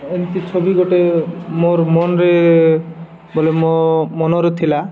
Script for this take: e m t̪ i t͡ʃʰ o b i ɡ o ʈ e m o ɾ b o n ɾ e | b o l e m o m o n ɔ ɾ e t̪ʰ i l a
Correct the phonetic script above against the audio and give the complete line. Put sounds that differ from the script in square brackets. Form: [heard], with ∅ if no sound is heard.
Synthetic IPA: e [n] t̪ i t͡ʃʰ o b i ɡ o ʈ e m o ɾ [m] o n ɾ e | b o l e m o m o n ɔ ɾ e t̪ʰ i l a